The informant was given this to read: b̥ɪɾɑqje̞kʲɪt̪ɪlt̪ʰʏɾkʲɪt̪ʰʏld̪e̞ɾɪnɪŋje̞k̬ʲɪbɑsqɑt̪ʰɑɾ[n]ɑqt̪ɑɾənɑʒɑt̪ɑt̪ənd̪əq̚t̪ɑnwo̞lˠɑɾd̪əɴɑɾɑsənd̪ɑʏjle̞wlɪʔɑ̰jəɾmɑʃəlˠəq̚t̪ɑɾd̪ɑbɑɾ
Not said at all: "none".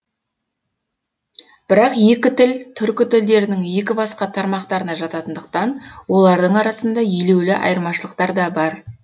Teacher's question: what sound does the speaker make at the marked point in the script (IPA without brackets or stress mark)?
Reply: m